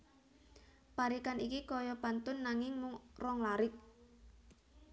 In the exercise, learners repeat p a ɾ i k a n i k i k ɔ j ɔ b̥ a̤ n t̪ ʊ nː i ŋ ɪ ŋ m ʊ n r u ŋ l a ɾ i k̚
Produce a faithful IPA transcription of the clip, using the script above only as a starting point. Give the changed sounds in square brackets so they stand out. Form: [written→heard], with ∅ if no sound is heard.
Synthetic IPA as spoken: p a ɾ i k a n i k i k ɔ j ɔ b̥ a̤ n t̪ ʊ nː [i→a] ŋ ɪ ŋ m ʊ [n→ŋ] r [u→ɔ] ŋ l a ɾ [i→ɪ] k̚